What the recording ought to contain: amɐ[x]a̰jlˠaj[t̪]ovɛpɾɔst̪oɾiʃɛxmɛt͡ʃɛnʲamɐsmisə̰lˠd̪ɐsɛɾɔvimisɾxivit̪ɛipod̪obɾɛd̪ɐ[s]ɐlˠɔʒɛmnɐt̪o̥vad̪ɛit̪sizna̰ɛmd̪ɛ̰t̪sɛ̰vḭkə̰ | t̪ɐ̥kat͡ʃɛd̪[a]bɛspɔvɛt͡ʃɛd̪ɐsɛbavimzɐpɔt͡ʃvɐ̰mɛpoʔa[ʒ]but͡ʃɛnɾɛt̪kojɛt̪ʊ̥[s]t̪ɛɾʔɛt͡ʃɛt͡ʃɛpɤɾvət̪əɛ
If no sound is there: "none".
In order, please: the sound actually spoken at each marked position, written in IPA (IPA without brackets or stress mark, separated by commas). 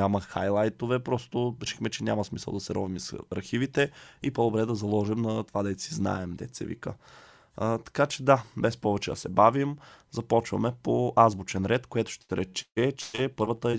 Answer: x, t̪, z, a, z, ʃ